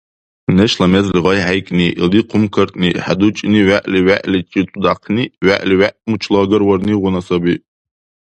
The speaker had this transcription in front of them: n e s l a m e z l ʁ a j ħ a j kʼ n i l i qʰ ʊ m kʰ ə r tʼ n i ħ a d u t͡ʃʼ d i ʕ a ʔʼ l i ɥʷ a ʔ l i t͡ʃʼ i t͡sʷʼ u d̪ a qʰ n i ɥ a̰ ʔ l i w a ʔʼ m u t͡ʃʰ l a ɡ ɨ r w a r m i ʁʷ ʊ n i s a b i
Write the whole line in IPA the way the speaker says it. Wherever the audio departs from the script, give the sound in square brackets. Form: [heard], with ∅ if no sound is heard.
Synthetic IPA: n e [ʃ] l a m e z l ʁ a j ħ a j kʼ n i l i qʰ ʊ m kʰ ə r tʼ n i ħ a d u t͡ʃʼ [n] i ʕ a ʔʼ l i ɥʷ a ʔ l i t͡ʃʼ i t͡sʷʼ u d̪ a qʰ n i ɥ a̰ ʔ l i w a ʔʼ m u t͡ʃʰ l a ɡ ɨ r w a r [n] i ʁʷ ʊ n [a] s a b i